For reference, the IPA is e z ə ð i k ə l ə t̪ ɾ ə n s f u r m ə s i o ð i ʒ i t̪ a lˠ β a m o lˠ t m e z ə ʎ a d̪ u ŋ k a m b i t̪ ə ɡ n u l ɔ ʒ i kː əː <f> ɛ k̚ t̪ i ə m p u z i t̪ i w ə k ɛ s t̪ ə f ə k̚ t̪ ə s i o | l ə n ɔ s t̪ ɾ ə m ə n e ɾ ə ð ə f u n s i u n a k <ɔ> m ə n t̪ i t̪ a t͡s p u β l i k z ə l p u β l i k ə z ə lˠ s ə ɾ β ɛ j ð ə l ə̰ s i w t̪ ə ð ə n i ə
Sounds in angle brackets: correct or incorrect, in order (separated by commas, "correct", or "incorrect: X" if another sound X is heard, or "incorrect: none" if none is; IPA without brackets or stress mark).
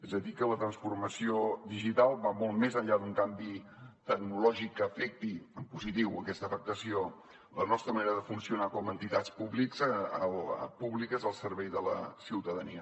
correct, correct